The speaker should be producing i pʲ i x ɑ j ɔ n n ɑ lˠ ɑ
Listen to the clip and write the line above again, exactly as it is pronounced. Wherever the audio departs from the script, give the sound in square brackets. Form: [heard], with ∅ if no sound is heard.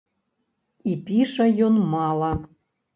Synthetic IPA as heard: i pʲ i [ʃ] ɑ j [o] n [m] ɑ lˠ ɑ